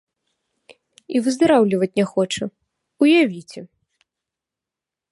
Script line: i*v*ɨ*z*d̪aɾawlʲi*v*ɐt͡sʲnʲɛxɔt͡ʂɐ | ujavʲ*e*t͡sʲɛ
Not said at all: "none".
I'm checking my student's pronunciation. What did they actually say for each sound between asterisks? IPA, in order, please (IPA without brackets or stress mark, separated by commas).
v, z, v, i